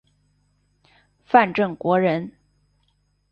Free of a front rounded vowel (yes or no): yes